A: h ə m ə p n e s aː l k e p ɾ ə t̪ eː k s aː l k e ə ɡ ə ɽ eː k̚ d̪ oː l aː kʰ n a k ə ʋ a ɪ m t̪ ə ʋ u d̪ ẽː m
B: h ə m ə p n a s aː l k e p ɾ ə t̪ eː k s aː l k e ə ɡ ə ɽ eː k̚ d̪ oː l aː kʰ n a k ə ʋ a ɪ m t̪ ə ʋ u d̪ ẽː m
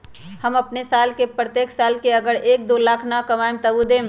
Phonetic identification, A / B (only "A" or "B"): A